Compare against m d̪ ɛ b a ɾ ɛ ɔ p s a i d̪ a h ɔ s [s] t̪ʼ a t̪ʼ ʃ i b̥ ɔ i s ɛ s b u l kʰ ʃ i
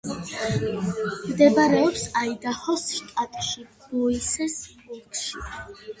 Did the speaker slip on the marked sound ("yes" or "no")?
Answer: yes